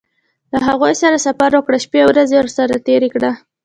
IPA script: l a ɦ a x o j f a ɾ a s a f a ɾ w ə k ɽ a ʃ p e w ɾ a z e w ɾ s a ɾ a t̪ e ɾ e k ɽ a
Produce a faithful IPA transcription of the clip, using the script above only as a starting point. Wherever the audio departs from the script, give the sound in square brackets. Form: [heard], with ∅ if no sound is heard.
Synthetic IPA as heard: l a ɦ a [ɣ] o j [s] a ɾ a s a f a ɾ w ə k ɽ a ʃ p e w ɾ a z e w ɾ s a ɾ a t̪ e ɾ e k ɽ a